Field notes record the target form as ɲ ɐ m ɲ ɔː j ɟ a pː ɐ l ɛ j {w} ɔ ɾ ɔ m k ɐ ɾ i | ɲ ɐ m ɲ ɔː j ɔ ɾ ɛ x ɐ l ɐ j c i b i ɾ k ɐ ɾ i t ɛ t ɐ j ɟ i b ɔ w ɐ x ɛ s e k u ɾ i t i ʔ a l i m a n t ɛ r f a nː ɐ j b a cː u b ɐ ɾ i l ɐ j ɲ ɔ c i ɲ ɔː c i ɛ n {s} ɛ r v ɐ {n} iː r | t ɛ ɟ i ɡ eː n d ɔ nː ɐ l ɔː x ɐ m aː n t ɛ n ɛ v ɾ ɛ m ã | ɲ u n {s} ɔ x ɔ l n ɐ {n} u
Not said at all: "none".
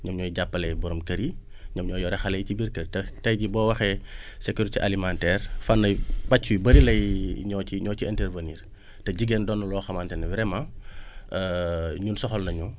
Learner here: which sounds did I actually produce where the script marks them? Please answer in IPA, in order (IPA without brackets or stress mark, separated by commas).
b, t, n, s, ɲ